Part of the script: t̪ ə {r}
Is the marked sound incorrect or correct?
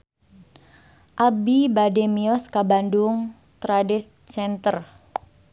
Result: correct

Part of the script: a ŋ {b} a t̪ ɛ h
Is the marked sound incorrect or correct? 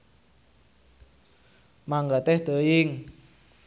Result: incorrect: ɡ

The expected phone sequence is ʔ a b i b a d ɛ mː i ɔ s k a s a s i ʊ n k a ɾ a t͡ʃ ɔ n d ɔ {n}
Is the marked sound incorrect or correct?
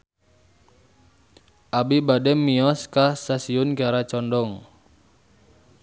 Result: incorrect: ŋ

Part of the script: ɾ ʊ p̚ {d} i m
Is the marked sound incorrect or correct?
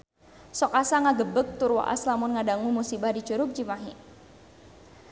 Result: incorrect: d͡ʒ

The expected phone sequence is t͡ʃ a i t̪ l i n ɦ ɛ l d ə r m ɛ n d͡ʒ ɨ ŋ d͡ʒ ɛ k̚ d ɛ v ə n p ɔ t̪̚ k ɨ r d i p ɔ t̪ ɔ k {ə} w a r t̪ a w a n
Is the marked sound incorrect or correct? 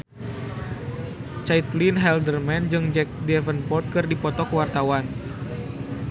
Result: correct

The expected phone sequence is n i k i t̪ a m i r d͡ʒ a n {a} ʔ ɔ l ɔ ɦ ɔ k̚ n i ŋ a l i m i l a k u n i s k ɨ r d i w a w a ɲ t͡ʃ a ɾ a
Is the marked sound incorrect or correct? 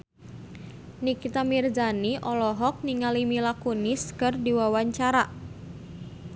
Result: incorrect: i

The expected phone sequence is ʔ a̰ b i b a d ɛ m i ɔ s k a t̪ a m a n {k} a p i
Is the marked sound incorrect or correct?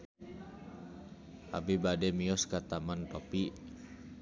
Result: incorrect: p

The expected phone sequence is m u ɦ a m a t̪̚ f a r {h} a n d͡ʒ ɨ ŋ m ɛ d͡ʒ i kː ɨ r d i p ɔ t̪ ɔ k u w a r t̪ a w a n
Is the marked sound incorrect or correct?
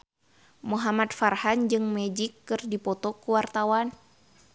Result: correct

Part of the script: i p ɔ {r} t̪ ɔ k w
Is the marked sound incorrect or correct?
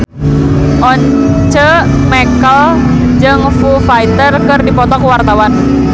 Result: incorrect: none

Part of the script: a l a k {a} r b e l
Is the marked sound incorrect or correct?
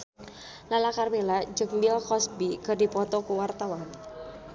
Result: correct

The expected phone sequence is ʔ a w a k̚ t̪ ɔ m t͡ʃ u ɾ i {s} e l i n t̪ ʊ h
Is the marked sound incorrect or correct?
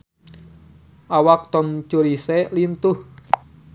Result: correct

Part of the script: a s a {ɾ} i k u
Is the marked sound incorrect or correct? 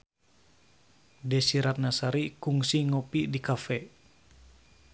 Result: correct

